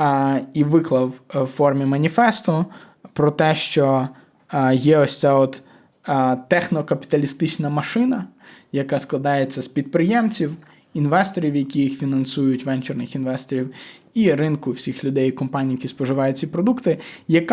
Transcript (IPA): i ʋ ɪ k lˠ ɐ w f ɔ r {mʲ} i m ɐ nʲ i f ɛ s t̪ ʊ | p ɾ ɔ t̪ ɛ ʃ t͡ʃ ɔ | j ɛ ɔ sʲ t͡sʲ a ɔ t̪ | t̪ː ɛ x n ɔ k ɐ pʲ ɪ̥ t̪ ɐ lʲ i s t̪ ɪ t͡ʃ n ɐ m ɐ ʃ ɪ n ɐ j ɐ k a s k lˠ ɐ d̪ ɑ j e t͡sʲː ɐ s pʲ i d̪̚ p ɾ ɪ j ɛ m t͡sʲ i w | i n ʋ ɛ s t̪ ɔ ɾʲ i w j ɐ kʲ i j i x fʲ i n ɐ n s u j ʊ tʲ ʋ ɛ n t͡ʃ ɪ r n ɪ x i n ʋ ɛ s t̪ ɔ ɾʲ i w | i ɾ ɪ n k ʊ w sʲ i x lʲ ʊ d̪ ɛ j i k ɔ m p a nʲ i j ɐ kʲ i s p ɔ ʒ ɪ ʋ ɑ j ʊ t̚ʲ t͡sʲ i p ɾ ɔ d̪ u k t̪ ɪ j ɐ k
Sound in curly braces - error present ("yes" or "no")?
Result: no